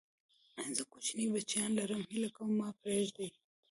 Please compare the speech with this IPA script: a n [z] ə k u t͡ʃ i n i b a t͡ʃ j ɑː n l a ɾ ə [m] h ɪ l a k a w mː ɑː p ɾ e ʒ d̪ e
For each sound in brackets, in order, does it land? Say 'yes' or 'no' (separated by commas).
yes, yes